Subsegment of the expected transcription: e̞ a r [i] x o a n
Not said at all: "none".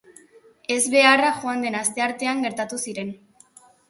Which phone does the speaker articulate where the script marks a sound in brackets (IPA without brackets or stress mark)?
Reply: a